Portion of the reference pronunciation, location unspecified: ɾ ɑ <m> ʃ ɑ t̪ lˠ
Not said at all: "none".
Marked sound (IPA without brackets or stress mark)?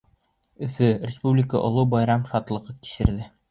m